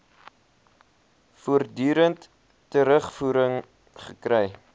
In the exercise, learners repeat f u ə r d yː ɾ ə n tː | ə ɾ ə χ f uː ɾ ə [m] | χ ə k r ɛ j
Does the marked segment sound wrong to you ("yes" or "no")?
yes